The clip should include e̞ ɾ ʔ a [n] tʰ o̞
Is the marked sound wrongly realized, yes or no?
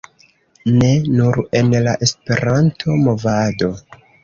no